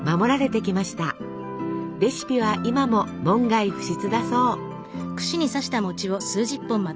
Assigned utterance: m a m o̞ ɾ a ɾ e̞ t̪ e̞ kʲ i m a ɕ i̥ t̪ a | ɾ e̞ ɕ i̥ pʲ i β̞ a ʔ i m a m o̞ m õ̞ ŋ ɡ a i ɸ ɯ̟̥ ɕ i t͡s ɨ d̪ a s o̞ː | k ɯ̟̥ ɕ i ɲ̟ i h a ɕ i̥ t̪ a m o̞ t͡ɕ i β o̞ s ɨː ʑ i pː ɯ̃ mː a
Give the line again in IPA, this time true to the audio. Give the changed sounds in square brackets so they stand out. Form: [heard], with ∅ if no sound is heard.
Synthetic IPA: m a m o̞ ɾ a ɾ e̞ t̪ e̞ kʲ i m a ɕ i̥ t̪ a | ɾ e̞ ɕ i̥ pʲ i β̞ a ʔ i m a m o̞ m õ̞ ŋ ɡ a i ɸ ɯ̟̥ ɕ i t͡s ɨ d̪ a s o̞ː | k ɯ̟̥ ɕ i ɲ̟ i [s] a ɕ i̥ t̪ a m o̞ t͡ɕ i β o̞ s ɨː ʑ i pː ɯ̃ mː a